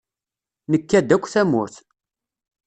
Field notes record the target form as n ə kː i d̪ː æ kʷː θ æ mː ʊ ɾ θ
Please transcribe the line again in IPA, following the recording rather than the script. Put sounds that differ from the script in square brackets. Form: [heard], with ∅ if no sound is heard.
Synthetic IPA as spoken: n ə kː [æ] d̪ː æ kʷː θ æ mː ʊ ɾ θ